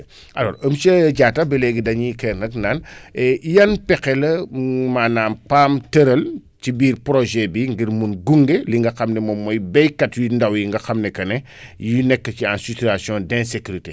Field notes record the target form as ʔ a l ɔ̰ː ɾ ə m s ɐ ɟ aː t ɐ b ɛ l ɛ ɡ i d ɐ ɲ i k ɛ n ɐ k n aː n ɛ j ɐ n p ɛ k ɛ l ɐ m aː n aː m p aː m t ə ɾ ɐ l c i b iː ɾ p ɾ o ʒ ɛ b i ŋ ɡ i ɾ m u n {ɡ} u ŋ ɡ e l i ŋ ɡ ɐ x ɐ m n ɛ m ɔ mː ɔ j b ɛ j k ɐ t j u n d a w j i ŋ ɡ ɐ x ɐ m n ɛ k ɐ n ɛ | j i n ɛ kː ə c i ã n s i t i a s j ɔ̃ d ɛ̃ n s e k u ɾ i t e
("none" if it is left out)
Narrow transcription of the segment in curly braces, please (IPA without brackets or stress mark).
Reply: ɡ